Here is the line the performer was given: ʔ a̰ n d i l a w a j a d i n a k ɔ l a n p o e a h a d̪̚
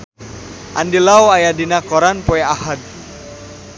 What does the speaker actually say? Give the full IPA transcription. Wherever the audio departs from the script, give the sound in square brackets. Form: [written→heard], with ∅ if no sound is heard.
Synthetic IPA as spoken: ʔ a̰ n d i l a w a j a d i n a k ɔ [l→ɾ] a n p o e a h a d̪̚